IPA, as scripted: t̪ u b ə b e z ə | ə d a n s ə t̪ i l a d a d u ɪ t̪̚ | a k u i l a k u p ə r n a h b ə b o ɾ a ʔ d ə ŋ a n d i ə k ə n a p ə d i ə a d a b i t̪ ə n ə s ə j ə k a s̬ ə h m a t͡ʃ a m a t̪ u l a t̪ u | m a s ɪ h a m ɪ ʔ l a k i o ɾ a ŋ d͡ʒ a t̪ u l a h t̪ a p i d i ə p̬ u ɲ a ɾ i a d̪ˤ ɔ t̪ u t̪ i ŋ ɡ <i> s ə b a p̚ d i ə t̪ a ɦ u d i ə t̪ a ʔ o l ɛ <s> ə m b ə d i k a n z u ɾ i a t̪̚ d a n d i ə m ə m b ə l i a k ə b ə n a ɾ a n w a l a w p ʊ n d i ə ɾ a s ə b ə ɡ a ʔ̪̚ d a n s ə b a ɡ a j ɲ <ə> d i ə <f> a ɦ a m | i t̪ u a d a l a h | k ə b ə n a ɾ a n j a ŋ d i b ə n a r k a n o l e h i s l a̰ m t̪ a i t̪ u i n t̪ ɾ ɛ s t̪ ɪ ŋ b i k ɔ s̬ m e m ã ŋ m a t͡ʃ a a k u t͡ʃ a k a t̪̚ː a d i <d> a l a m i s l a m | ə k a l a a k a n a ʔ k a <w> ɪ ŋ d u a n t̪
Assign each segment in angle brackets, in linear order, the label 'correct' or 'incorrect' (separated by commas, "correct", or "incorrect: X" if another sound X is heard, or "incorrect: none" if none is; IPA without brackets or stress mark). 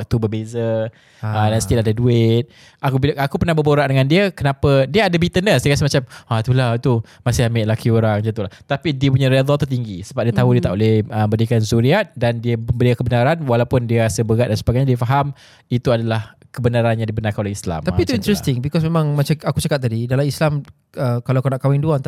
correct, incorrect: h, incorrect: a, correct, correct, correct